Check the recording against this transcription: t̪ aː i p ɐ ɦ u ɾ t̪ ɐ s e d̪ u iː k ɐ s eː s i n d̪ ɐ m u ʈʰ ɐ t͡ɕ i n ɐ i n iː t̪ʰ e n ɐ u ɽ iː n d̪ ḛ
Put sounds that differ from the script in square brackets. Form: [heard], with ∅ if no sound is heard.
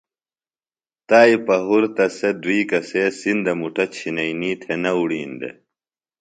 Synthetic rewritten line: t̪ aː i p ɐ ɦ u ɾ t̪ ɐ s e d̪ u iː k ɐ s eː s i n d̪ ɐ m u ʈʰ ɐ [t͡ɕʰ] i n ɐ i n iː t̪ʰ e n ɐ u ɽ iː n d̪ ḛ